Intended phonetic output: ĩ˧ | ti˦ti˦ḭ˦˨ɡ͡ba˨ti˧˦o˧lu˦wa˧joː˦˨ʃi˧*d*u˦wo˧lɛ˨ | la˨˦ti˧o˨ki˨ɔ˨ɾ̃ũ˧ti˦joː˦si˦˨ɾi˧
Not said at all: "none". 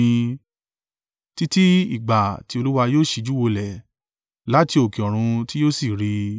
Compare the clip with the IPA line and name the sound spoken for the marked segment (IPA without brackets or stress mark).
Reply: d͡ʒ